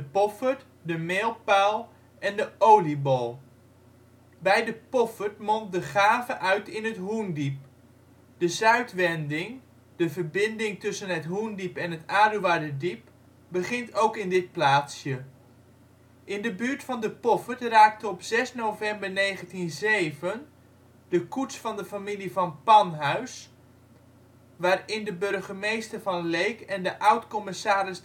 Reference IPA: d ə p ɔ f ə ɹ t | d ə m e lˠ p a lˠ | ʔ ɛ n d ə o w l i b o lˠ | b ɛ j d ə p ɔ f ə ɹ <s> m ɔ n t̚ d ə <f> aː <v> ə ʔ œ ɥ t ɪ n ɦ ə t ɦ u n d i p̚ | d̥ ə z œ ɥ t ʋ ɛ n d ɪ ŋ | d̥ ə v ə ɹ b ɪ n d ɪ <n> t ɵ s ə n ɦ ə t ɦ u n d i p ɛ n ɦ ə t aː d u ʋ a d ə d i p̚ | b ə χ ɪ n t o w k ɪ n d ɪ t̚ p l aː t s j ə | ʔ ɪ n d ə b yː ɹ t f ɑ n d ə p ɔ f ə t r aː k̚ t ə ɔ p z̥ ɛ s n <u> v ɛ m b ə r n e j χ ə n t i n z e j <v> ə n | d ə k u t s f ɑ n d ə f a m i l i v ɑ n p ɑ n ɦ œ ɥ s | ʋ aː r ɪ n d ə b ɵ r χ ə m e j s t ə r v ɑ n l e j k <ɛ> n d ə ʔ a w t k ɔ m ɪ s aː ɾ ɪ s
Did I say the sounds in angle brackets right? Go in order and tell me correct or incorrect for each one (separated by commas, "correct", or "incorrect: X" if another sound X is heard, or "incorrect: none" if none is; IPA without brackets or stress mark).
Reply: incorrect: t, incorrect: χ, correct, incorrect: ŋ, incorrect: o, correct, correct